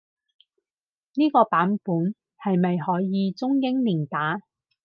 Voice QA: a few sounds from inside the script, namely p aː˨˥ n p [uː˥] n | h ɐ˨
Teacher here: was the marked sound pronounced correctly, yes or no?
no